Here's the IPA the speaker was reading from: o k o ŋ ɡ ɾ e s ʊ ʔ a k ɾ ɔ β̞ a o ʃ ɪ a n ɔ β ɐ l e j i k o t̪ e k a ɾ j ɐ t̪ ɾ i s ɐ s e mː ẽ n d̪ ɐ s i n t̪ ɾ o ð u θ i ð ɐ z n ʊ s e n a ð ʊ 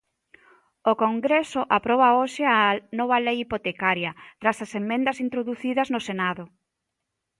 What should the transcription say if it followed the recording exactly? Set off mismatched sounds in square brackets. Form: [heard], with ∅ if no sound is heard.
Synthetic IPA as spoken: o k o ŋ ɡ ɾ e s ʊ ʔ a [p] ɾ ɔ β̞ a o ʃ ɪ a n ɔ β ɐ l e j i [p] o t̪ e k a ɾ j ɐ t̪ ɾ [a] s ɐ s e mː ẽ n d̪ ɐ s i n t̪ ɾ o ð u θ i ð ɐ z n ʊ s e n a ð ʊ